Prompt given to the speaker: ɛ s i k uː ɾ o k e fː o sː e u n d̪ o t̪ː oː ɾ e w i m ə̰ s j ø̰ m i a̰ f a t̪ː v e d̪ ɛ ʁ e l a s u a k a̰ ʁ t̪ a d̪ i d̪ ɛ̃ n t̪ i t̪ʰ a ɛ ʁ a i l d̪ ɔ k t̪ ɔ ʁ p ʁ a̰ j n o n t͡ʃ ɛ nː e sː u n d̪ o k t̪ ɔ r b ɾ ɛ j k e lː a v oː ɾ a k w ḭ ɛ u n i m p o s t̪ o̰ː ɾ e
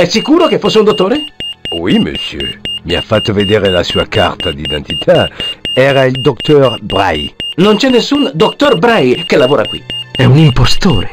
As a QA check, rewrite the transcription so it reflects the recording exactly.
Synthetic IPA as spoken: ɛ s i k uː ɾ o k e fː o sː e u n d̪ o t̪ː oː ɾ e w i m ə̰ s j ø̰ m i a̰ f a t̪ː v e d̪ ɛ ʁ e l a s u a k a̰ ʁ t̪ a d̪ i d̪ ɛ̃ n t̪ i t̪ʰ a ɛ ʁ a i l d̪ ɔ k t̪ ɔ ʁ b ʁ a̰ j n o n t͡ʃ ɛ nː e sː u n d̪ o k t̪ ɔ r b ɾ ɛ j k e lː a v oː ɾ a k w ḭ ɛ u n i m p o s t̪ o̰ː ɾ e

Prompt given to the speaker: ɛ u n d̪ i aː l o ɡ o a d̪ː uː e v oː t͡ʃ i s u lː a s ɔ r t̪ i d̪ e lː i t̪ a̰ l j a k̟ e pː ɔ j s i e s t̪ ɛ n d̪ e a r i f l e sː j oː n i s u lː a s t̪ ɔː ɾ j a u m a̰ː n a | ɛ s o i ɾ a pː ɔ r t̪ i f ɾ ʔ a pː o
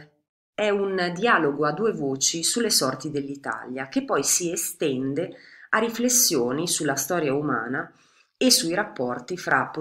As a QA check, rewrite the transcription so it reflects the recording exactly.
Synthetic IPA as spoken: ɛ u n d̪ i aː l o ɡ o a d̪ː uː e v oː t͡ʃ i s u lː e s ɔ r t̪ i d̪ e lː i t̪ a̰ l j a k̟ e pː ɔ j s i e s t̪ ɛ n d̪ e a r i f l e sː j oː n i s u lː a s t̪ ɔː ɾ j a u m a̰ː n a | e s u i ɾ a pː ɔ r t̪ i f ɾ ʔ a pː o

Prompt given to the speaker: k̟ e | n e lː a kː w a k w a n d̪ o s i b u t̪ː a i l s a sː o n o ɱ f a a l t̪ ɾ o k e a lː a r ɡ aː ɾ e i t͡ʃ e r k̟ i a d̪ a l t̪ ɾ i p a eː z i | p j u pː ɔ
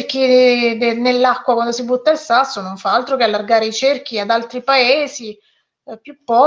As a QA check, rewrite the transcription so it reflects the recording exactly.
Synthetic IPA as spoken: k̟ i | n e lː a kː w a k w a n d̪ o s i b u t̪ː a i l s a sː o n o ɱ f a a l t̪ ɾ o k e a lː a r ɡ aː ɾ e i t͡ʃ e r k̟ i a d̪ a l t̪ ɾ i p a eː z i | p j u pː ɔ

